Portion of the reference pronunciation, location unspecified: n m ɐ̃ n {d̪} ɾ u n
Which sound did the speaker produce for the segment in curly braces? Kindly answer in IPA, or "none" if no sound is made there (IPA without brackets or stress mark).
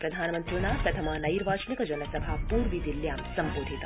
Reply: t̪